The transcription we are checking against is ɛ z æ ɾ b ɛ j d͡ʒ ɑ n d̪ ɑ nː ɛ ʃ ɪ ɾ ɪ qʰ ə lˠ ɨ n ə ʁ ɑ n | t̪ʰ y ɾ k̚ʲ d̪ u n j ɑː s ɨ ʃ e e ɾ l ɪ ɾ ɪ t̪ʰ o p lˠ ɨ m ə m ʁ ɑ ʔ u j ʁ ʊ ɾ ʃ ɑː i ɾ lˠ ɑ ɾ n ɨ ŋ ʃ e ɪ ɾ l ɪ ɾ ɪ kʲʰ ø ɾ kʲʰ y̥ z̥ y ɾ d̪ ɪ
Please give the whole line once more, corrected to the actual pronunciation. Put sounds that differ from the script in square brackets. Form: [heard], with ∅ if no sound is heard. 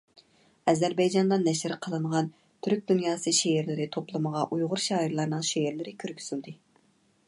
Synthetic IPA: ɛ z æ ɾ b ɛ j d͡ʒ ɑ n d̪ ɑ nː ɛ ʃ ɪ ɾ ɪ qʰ ə lˠ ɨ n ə ʁ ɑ n | t̪ʰ y ɾ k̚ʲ d̪ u n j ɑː s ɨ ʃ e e ɾ l ɪ ɾ ɪ t̪ʰ o p lˠ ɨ m ə [∅] ʁ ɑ ʔ u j ʁ ʊ ɾ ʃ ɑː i ɾ lˠ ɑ ɾ n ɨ ŋ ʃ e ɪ ɾ l ɪ ɾ ɪ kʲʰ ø ɾ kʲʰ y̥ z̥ y [l] d̪ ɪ